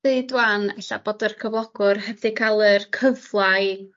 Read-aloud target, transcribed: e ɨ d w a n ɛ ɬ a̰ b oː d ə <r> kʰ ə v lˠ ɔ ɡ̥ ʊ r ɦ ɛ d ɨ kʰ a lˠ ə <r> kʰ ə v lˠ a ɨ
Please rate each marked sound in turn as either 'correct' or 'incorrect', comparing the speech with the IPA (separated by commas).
correct, correct